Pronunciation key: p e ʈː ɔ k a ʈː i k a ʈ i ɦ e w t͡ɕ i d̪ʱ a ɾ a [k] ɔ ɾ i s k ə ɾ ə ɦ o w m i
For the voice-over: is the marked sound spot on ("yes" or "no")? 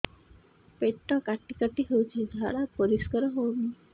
no